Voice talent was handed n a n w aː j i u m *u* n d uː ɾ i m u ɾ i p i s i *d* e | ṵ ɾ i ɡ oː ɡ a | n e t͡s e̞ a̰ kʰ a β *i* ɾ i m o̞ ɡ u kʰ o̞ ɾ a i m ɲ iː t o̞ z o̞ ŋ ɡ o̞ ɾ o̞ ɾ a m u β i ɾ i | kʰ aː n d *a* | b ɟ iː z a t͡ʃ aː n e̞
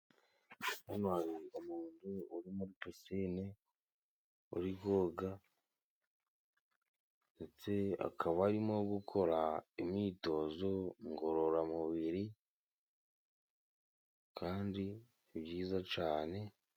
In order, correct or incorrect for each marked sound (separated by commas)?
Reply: incorrect, incorrect, incorrect, incorrect